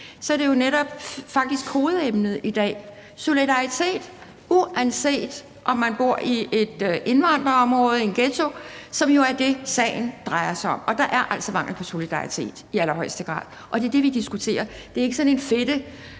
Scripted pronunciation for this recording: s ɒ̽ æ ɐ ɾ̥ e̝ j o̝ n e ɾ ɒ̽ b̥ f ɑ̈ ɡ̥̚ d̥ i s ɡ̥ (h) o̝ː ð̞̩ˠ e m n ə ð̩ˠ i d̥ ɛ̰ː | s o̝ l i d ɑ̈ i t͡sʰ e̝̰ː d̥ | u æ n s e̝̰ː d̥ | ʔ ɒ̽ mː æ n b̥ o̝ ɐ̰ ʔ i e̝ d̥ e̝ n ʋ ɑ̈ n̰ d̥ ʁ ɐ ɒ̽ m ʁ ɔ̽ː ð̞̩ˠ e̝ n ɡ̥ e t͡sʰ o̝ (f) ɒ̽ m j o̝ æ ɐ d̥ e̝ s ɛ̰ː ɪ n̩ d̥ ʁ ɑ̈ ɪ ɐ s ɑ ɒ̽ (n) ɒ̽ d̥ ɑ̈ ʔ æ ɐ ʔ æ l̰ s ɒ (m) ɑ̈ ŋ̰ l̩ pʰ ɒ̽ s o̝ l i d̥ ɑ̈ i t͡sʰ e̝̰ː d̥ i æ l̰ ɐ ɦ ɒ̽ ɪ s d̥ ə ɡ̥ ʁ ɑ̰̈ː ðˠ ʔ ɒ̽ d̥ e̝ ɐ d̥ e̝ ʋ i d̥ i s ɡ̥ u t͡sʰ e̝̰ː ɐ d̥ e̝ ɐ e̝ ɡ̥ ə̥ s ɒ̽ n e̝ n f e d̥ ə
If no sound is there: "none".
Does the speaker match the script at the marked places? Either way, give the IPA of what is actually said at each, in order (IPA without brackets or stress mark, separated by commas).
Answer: h, s, m, m